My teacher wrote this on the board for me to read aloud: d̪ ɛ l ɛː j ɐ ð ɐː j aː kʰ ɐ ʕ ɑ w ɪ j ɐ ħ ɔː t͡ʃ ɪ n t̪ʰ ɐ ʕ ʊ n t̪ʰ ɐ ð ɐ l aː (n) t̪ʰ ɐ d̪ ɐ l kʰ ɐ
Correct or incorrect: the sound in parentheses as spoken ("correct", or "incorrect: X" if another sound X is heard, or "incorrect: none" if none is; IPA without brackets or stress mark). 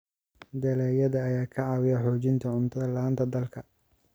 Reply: correct